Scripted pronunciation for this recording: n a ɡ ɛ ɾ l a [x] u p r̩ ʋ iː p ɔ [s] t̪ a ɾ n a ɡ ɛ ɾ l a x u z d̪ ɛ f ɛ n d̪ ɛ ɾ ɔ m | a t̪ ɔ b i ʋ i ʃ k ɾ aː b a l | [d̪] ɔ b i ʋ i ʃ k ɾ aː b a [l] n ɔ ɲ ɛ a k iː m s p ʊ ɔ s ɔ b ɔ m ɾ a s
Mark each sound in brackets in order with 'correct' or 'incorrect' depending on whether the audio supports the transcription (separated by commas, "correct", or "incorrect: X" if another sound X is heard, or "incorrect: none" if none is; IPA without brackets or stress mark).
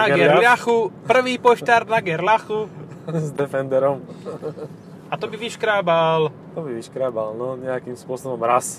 correct, incorrect: ʃ, incorrect: t̪, correct